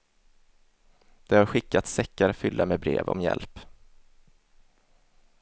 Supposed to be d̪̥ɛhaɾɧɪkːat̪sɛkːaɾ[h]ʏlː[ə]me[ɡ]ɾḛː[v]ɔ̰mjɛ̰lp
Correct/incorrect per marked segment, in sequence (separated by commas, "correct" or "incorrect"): incorrect, incorrect, incorrect, correct